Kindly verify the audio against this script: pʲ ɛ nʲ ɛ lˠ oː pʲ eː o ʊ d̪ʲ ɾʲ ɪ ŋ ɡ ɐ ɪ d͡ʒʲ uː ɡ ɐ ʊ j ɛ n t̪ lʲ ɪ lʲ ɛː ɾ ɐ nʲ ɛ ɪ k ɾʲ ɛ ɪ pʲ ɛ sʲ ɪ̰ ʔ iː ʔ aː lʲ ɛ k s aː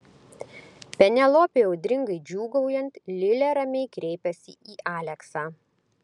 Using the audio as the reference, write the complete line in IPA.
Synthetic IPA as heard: pʲ ɛ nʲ ɛ lˠ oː pʲ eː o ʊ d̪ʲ ɾʲ ɪ ŋ ɡ ɐ ɪ d͡ʒʲ uː ɡ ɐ ʊ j ɛ n t̪ lʲ ɪ lʲ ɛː ɾ ɐ mʲ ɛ ɪ k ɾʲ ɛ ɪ pʲ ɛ sʲ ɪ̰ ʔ iː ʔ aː lʲ ɛ k s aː

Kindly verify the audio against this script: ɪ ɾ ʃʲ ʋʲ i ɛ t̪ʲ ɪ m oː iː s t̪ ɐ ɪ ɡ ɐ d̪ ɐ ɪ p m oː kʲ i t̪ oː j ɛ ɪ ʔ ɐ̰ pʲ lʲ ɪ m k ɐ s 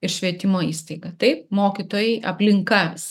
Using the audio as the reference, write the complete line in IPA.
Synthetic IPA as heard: ɪ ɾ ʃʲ ʋʲ i ɛ t̪ʲ ɪ m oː iː s t̪ ɐ ɪ ɡ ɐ t̪ ɐ ɪ p m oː kʲ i t̪ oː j ɛ ɪ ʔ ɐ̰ pʲ lʲ ɪ ŋ k ɐ s

